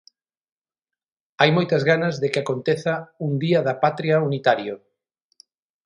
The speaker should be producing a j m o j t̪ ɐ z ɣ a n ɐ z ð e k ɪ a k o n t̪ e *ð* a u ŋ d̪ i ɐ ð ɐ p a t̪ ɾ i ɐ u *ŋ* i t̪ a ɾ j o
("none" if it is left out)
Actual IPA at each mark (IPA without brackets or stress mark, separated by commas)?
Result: θ, n